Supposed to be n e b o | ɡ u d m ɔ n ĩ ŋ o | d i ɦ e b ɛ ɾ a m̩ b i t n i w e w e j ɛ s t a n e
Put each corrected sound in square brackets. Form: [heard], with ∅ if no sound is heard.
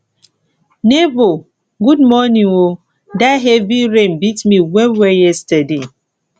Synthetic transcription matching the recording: n e b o | ɡ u d m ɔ n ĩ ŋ o | d [a] ɦ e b [i] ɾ [e] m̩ b i t [m] i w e w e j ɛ s t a [d] e